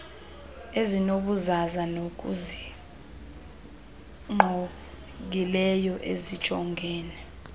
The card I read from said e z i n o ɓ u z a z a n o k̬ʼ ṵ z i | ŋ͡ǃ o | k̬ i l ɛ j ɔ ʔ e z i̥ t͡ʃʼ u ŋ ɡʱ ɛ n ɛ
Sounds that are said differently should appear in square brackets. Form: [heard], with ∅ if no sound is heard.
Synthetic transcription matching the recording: e z i n o ɓ u z a z a n o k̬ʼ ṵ z i | ŋ͡ǃ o | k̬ i l ɛ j ɔ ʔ e z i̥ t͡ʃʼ [ɔ] ŋ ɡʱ [ɛː] n ɛ